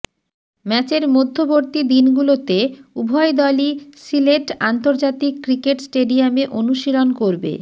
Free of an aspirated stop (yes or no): yes